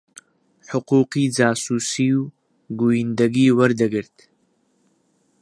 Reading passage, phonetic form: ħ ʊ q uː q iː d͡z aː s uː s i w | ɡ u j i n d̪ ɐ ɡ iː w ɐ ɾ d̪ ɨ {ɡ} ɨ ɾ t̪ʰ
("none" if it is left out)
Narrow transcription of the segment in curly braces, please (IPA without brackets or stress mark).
ɡ